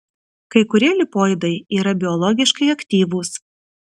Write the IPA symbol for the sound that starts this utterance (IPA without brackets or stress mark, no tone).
k